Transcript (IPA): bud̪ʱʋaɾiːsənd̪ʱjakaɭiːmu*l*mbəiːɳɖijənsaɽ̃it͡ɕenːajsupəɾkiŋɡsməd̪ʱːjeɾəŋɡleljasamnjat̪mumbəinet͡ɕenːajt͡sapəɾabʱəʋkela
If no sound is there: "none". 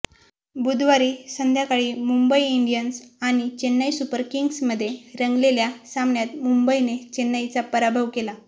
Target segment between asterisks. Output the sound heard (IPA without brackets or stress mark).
none